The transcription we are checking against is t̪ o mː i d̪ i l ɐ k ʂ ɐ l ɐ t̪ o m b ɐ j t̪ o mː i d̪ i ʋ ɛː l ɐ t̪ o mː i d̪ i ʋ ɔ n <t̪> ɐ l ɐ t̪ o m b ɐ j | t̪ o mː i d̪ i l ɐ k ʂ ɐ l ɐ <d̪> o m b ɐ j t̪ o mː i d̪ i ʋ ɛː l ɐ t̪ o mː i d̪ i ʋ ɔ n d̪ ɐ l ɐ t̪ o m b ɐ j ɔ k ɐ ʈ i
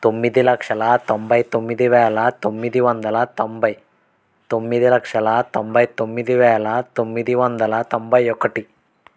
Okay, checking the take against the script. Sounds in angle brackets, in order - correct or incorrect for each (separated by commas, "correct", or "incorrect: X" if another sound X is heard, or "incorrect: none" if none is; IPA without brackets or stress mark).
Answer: incorrect: d̪, incorrect: t̪